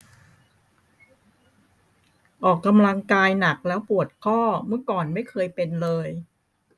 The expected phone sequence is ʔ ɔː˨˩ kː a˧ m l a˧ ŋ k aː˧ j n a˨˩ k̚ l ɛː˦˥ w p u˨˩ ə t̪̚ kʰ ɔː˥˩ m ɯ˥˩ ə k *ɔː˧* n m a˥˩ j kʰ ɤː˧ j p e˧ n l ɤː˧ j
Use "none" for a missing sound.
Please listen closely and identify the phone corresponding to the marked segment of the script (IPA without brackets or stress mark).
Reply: ɔː˨˩